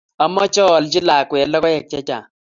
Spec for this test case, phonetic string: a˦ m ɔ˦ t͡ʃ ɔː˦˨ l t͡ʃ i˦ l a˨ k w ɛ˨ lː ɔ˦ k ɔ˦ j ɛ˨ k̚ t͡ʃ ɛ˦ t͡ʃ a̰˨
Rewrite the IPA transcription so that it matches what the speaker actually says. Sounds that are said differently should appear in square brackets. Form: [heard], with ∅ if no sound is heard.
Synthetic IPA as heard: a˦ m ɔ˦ t͡ʃ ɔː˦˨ l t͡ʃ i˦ l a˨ k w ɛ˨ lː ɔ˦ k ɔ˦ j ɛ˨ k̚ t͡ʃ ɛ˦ t͡ʃ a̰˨

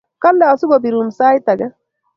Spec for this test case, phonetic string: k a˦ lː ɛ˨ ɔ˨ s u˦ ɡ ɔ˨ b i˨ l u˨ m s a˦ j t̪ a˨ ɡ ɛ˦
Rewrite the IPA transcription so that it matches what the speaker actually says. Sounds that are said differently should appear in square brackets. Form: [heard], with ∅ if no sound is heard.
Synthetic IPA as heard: k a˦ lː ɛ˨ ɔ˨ s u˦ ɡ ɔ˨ b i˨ [ɾ] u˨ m s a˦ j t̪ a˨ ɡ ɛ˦

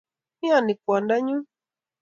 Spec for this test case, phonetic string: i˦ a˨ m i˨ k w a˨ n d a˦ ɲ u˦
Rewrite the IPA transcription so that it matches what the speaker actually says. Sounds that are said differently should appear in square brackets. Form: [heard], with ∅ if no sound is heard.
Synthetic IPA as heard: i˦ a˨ [n] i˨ k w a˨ n d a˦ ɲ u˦

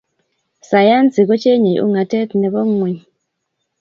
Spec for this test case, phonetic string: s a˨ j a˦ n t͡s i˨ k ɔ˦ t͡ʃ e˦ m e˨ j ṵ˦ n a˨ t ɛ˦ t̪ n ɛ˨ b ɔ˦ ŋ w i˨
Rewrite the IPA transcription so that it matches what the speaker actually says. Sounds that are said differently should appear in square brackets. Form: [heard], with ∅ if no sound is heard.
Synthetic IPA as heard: s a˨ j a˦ n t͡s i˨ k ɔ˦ t͡ʃ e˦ [ɲ] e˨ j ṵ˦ [ŋ] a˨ t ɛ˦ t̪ n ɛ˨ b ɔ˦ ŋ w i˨

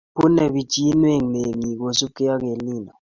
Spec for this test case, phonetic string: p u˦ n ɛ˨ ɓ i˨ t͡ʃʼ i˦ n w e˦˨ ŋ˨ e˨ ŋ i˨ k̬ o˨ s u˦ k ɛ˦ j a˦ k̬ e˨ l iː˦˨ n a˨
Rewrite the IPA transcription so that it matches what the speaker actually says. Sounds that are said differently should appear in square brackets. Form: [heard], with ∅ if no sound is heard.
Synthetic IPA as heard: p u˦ n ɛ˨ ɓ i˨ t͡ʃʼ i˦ n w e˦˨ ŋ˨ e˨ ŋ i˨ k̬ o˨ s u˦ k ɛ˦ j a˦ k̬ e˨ l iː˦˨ n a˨

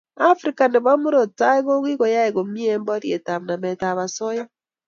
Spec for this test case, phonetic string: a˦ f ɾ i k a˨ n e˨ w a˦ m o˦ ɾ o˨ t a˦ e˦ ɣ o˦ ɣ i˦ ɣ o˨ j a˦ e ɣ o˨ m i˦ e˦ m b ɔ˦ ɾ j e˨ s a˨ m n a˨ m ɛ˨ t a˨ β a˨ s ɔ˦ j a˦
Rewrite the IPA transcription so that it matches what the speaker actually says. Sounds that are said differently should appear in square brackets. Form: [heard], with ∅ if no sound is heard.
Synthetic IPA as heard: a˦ f ɾ i k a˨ n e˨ [β] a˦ m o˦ ɾ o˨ t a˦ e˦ ɣ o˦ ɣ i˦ ɣ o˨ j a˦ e ɣ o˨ m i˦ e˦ m b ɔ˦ ɾ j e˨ [t] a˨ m n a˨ m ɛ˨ t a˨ β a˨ s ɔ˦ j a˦

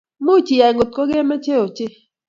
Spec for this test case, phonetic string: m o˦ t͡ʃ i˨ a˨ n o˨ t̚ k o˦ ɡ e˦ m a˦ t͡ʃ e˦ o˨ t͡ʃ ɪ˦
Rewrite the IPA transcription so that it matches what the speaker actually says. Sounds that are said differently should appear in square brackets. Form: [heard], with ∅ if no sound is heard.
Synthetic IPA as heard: m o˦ t͡ʃ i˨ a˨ [ŋ] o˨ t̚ k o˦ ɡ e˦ m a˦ t͡ʃ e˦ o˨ t͡ʃ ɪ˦

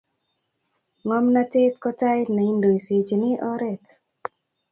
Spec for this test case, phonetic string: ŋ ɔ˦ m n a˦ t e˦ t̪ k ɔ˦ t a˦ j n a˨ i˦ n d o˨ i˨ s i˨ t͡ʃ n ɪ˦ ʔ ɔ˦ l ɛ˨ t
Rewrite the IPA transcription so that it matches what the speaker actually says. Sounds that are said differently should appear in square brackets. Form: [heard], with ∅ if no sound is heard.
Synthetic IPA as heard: ŋ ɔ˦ m n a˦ t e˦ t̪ k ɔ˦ t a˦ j n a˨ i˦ n d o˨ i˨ s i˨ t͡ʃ n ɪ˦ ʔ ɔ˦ [ɾ] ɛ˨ t

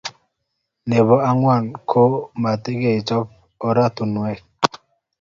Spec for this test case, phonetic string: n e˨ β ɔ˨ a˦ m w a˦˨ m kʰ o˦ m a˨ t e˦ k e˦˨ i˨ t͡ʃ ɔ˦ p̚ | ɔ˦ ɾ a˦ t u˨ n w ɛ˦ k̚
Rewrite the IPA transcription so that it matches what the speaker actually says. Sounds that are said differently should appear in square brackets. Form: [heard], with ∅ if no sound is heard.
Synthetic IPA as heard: n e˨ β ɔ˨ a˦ [ŋ] w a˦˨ [n] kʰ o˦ m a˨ t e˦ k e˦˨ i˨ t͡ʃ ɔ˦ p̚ | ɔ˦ ɾ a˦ t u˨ n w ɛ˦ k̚

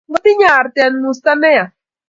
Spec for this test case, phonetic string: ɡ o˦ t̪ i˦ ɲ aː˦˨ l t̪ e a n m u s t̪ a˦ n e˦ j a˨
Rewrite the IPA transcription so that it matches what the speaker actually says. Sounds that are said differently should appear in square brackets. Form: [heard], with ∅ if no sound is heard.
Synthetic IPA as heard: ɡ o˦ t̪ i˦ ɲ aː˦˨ [ɾ] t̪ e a n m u s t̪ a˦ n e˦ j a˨

